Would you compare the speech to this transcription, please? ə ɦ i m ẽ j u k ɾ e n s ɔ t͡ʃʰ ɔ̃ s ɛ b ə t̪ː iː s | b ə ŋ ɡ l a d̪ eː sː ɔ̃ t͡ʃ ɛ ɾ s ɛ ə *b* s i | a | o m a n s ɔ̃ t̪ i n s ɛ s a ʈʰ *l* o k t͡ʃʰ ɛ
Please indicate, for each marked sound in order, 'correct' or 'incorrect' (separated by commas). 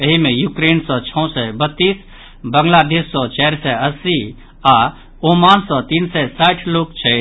incorrect, correct